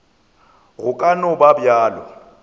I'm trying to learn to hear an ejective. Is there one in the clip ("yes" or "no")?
yes